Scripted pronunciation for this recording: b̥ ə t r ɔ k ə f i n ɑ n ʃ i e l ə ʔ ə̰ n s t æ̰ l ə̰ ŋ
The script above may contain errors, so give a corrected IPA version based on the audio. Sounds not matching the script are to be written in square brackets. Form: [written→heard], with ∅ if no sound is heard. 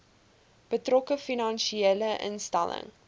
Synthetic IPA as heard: b̥ ə t r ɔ k ə f i n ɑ n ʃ i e l ə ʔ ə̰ n s t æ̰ l ə̰ ŋ